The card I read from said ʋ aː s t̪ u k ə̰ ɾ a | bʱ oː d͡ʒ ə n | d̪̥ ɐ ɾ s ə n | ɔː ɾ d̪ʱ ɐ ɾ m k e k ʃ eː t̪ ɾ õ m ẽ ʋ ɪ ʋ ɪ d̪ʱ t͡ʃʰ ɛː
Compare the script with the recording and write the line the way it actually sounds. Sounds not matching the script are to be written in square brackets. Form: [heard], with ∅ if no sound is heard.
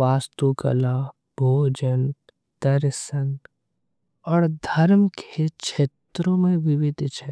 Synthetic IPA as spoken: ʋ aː s t̪ u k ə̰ [l] a | bʱ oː d͡ʒ ə n | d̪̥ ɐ ɾ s ə n | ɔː ɾ d̪ʱ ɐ ɾ m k e k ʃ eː t̪ ɾ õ m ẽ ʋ ɪ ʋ ɪ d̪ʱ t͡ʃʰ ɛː